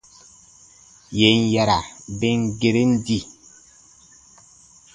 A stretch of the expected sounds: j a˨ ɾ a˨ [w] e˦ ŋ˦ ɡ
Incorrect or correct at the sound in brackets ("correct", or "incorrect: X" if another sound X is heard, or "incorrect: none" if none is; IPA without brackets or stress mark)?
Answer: incorrect: b